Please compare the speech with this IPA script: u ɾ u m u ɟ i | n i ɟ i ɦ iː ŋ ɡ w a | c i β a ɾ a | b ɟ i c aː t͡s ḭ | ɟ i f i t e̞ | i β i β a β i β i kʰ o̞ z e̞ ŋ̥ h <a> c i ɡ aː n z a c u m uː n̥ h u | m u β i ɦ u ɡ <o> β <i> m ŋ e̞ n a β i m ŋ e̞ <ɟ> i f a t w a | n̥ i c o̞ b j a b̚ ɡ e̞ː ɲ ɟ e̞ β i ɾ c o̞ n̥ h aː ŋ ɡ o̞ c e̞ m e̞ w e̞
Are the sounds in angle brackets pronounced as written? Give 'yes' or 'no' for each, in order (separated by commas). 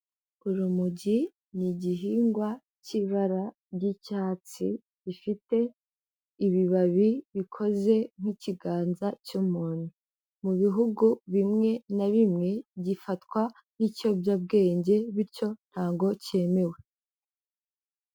no, no, yes, yes